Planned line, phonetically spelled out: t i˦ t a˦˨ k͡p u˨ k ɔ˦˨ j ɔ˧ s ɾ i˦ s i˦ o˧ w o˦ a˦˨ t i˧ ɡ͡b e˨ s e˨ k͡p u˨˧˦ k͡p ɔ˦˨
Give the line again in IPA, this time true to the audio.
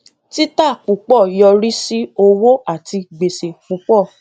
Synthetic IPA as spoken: t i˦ t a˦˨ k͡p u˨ k͡p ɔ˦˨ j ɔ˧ ɾ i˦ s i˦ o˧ w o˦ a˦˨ t i˧ ɡ͡b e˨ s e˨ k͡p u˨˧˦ k͡p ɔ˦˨

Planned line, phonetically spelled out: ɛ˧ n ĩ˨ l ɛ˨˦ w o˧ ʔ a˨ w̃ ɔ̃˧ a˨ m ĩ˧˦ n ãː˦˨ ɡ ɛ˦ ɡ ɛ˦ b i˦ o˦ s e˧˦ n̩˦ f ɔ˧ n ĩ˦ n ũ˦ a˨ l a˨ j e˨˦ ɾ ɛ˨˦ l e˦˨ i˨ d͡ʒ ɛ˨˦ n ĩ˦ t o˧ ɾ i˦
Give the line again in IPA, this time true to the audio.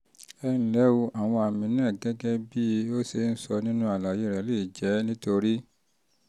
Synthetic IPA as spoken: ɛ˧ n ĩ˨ l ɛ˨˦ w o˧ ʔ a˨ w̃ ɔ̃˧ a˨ m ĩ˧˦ n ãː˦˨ ɡ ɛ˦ ɡ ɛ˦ b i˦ o˦ s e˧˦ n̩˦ s ɔ˧ n ĩ˦ n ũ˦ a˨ l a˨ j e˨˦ ɾ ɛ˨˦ l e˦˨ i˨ d͡ʒ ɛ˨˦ n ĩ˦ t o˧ ɾ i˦

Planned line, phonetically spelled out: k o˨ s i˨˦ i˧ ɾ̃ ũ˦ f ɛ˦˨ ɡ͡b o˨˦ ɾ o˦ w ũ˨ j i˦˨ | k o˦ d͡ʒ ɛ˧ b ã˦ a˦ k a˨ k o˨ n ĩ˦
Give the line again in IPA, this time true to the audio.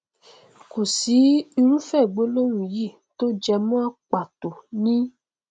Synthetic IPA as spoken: k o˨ s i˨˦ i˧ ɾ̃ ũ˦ f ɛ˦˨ ɡ͡b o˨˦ l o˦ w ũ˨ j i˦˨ | t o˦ d͡ʒ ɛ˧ m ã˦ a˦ k͡p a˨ t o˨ n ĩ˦

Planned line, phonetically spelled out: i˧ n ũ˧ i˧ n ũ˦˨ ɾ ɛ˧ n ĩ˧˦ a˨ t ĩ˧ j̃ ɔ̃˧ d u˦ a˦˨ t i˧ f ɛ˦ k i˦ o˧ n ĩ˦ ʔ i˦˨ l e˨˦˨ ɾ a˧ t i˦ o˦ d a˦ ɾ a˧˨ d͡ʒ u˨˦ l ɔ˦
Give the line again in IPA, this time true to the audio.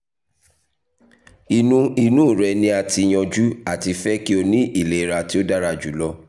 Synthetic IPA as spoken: i˧ n ũ˧ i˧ n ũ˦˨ ɾ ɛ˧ n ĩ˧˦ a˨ t i˧ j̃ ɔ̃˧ d͡ʒ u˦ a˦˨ t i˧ f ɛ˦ k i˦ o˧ n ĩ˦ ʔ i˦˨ l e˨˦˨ ɾ a˧ t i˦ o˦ d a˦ ɾ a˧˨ d͡ʒ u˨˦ l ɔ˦

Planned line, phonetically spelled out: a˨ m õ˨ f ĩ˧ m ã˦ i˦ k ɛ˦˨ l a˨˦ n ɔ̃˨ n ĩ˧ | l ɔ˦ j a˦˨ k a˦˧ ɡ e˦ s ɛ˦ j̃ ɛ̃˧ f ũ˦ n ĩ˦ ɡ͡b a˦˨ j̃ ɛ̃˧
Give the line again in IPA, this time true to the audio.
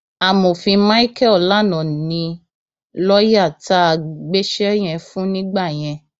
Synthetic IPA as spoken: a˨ m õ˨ f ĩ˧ m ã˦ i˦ k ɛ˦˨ l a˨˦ n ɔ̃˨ n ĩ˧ | l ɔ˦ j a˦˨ t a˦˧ ɡ͡b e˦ ʃ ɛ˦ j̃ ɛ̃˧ f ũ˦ n ĩ˦ ɡ͡b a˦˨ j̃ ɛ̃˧

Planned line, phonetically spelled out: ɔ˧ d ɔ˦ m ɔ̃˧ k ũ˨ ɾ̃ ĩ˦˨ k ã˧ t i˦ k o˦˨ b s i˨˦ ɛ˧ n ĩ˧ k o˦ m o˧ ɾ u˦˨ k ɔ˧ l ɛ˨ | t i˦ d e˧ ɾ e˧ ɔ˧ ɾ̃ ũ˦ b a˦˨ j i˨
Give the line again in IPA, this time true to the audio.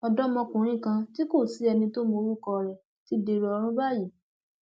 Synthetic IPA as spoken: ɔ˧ d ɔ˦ m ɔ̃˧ k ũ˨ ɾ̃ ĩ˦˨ k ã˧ t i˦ k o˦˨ s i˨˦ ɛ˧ n ĩ˧ t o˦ m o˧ ɾ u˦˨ k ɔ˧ ɾ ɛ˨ | t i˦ d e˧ ɾ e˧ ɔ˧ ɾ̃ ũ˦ b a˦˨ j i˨

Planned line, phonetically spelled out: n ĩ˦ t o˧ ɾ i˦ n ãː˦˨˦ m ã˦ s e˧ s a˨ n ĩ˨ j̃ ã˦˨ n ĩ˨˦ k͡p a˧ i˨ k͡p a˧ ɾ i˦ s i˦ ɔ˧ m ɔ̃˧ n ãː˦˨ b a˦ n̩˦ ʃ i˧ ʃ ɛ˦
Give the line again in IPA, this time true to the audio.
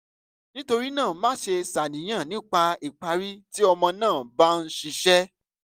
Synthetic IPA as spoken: n ĩ˦ t o˧ ɾ i˦ n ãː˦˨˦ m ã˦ ʃ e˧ s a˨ n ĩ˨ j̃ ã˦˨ n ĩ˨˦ k͡p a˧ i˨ k͡p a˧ ɾ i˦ t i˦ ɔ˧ m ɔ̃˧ n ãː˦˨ b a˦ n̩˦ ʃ i˧ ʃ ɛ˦

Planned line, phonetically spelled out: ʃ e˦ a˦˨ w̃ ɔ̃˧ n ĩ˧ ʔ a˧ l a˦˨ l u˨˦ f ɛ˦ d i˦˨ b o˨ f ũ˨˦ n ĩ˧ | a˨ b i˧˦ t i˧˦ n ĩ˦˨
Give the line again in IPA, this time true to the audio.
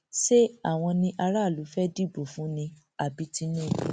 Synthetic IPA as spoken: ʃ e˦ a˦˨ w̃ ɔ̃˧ n ĩ˧ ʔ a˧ ɾ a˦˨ l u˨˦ f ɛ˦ d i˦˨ b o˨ f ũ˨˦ n ĩ˧ | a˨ b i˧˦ t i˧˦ n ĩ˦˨

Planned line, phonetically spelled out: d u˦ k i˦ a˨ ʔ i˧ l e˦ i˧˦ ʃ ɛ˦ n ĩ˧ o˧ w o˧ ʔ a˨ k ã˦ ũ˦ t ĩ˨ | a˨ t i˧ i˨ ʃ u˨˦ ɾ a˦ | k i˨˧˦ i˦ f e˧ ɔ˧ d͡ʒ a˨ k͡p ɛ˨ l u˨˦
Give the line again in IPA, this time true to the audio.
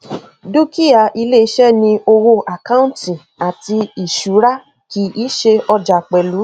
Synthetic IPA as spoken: d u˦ k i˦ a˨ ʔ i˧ l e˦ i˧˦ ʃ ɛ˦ n ĩ˧ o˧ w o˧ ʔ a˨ k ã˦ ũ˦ t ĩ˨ | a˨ t i˧ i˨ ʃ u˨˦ ɾ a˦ | k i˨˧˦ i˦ ʃ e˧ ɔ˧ d͡ʒ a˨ k͡p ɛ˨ l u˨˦

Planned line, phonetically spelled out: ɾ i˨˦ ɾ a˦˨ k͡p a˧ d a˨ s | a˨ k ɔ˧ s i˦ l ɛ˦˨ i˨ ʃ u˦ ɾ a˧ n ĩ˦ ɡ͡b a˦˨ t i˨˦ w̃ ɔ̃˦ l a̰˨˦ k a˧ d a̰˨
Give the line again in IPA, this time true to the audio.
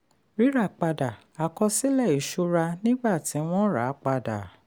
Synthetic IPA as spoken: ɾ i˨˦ ɾ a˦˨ k͡p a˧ d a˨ | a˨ k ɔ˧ s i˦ l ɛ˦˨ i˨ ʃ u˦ ɾ a˧ n ĩ˦ ɡ͡b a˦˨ t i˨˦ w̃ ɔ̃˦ ɾ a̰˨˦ k͡p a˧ d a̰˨

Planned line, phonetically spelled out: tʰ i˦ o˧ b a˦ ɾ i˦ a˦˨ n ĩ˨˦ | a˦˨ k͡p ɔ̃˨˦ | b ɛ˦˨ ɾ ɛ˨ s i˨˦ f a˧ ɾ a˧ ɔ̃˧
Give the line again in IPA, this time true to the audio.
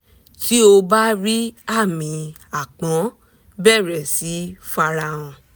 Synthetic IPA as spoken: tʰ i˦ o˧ b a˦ ɾ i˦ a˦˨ m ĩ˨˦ | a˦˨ k͡p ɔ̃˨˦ | b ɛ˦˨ ɾ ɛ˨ s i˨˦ f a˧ ɾ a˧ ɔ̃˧

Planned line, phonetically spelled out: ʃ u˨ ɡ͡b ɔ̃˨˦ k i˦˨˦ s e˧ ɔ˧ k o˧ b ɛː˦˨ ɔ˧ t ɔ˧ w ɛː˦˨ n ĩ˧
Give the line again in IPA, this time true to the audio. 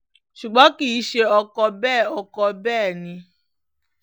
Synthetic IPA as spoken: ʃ u˨ ɡ͡b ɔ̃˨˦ k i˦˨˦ ʃ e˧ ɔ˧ k ɔ˧ b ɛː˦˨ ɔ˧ k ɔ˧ b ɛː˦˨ n ĩ˧

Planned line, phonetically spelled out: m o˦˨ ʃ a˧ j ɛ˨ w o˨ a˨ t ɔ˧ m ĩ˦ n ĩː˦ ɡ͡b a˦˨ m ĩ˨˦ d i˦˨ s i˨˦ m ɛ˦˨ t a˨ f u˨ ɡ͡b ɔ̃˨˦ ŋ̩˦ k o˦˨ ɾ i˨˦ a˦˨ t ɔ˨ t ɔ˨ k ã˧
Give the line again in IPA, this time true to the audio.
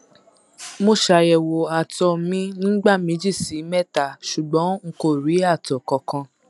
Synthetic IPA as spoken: m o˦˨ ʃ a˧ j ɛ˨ w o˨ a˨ t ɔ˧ m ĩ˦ n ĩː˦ ɡ͡b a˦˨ m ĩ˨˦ d͡ʒ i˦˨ s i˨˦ m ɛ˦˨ t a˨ ʃ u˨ ɡ͡b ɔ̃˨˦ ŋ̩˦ k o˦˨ ɾ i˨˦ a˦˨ t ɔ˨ k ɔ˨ k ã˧

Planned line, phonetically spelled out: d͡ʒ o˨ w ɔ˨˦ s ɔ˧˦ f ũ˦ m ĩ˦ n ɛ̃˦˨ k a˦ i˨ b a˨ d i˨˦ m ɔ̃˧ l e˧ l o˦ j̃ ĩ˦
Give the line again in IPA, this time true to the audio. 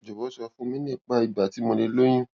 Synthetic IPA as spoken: d͡ʒ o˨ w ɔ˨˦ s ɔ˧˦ f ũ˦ m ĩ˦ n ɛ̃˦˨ k͡p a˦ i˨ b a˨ t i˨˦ m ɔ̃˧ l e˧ l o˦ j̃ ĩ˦

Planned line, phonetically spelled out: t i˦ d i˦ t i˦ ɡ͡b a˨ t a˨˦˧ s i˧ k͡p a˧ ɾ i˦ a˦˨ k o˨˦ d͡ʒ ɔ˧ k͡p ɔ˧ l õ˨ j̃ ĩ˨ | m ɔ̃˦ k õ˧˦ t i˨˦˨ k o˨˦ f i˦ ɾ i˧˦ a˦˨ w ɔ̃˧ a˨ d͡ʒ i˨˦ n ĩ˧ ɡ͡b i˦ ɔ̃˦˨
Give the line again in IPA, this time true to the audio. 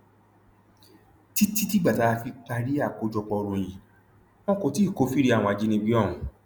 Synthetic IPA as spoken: t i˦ t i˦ t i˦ ɡ͡b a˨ t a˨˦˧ f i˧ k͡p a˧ ɾ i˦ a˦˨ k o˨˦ d͡ʒ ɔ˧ k͡p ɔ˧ ɾ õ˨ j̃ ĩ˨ | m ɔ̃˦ k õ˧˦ t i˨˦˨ k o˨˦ f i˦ ɾ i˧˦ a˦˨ w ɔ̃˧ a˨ d͡ʒ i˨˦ n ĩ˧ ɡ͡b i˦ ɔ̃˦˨

